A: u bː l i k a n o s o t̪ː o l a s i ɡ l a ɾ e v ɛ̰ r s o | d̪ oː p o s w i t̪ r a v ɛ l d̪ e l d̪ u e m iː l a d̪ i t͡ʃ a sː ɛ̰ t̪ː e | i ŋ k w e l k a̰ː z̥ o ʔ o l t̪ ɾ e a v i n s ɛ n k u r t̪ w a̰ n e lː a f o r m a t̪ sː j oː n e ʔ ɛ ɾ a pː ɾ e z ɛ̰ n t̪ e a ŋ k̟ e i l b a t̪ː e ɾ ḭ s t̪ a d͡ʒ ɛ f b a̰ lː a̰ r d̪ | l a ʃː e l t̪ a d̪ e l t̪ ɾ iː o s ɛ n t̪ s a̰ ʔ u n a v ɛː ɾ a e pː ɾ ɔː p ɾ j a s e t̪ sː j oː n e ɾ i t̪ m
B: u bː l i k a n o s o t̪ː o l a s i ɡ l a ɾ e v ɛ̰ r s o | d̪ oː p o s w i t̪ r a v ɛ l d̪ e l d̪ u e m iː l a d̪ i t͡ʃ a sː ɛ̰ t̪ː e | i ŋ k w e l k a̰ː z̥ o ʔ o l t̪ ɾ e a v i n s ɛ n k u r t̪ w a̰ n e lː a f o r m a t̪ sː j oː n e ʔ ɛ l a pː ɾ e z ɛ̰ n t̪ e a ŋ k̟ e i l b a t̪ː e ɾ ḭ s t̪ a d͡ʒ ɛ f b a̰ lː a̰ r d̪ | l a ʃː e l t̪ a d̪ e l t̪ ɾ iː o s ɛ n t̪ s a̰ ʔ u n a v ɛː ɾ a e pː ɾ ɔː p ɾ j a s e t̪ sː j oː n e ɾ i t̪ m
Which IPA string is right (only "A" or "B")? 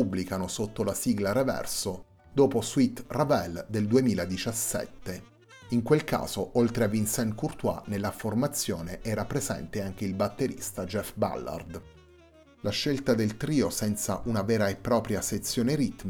A